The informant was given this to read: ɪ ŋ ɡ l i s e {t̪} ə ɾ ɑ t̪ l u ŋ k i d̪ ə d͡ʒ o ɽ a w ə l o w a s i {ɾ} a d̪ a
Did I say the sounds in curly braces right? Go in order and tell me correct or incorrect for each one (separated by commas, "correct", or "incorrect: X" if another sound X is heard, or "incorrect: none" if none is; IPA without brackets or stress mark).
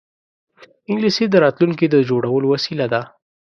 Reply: incorrect: d̪, incorrect: l